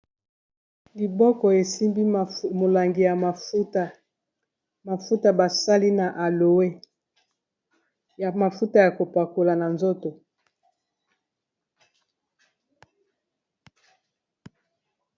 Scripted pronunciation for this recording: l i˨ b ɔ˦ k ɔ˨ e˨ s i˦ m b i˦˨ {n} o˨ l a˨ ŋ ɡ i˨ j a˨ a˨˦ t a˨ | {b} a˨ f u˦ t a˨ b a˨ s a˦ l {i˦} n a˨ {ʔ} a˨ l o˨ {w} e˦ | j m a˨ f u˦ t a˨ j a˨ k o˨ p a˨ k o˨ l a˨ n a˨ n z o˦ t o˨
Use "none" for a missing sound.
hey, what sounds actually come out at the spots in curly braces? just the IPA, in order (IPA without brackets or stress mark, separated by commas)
m, m, i˦, ʔ, w